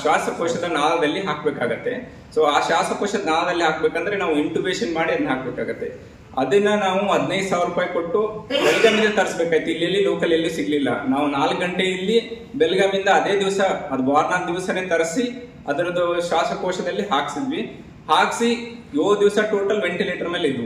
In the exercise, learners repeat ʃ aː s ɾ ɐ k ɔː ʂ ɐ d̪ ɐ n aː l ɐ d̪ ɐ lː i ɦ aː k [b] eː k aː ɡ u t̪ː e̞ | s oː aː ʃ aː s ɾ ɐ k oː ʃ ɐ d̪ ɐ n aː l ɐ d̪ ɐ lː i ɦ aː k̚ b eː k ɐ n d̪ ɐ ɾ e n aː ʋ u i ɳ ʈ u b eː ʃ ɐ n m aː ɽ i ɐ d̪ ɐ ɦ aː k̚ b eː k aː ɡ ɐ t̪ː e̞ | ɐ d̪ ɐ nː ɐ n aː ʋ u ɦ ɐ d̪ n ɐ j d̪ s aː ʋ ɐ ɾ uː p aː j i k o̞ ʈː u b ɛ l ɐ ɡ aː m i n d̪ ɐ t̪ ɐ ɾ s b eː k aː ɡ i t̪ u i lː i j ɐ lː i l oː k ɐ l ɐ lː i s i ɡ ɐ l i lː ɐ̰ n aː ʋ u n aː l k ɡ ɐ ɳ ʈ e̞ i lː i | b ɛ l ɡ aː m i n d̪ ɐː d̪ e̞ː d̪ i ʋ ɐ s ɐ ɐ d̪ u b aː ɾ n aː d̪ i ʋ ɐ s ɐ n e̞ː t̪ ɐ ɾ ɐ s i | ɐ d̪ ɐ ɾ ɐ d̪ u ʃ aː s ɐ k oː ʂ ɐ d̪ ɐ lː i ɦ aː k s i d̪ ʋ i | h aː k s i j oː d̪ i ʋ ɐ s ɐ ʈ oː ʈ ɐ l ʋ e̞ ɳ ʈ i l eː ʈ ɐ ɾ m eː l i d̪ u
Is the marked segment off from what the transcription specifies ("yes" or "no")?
no